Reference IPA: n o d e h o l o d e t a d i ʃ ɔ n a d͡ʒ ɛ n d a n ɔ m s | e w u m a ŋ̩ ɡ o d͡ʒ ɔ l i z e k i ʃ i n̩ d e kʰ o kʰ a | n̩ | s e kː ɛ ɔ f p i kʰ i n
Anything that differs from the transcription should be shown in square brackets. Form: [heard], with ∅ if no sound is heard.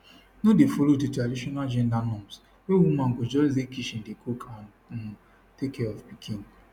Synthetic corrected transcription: n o d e [f] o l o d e t a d i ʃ ɔ n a d͡ʒ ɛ n d a n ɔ m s | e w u m a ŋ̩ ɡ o d͡ʒ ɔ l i z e k i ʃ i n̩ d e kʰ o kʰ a | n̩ | [t] e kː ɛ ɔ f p i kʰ i n